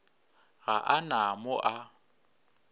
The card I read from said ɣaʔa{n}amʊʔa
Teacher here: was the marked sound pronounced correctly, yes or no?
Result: yes